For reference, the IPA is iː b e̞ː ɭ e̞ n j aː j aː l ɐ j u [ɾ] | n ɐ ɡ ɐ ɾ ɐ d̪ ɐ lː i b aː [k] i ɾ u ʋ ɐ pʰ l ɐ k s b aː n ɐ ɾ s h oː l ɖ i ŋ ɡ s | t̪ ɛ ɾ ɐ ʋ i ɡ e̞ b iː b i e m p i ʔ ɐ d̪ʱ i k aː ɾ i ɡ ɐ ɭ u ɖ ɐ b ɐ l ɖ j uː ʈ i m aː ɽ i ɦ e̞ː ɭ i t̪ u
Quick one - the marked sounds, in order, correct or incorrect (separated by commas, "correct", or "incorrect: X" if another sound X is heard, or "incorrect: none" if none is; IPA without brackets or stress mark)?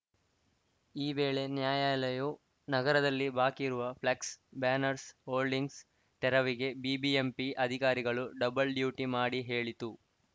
incorrect: none, correct